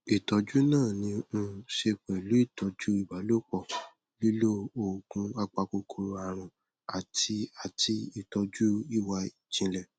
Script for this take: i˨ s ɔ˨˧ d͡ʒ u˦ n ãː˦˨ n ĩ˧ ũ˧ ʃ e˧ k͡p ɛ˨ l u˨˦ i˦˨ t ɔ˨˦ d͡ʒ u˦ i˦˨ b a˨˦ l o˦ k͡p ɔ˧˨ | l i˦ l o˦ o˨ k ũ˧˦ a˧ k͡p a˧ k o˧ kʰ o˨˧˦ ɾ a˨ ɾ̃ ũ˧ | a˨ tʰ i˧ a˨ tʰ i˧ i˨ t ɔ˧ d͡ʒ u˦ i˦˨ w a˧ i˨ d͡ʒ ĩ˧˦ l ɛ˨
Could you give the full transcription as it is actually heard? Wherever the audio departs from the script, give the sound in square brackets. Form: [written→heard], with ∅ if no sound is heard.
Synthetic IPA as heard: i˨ [s→t] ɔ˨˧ d͡ʒ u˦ n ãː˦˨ n ĩ˧ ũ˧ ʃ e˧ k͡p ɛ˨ l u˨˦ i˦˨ t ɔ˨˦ d͡ʒ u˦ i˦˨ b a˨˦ l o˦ k͡p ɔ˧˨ | l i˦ l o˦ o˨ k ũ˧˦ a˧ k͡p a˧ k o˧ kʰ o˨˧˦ ɾ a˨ ɾ̃ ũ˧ | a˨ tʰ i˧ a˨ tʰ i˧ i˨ t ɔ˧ d͡ʒ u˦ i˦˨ w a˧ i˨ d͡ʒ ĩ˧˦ l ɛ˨